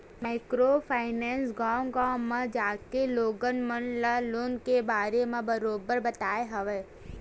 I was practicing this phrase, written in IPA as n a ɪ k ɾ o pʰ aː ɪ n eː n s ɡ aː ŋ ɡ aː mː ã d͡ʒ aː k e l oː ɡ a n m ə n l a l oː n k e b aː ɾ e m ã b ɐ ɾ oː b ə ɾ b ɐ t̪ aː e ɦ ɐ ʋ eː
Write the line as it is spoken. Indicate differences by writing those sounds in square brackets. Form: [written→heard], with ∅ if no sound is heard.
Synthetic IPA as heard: [n→m] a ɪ k ɾ o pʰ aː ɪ n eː n s ɡ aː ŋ ɡ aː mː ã d͡ʒ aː k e l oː ɡ [a→ə] n m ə n l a l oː n k e b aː ɾ e m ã b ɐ ɾ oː b ə ɾ b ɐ t̪ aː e ɦ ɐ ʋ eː